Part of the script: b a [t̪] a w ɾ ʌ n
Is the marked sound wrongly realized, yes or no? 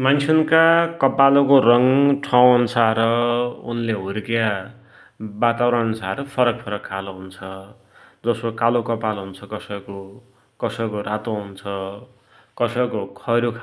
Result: no